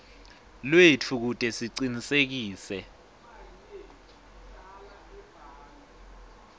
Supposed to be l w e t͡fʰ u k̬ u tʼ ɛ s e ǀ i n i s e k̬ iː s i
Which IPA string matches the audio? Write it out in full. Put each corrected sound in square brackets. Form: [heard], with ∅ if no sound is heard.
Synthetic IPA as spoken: l w e t͡fʰ u k̬ u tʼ ɛ s [i] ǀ i n i s e k̬ iː s [ɛ]